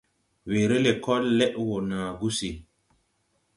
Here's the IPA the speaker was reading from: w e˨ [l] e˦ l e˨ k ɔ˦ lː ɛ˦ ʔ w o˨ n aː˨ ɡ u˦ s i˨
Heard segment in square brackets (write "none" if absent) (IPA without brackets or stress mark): ɾ